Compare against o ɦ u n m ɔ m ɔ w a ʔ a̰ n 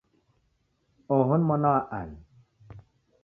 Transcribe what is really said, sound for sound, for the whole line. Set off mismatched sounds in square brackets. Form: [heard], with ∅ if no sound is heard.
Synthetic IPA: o ɦ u n m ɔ [n] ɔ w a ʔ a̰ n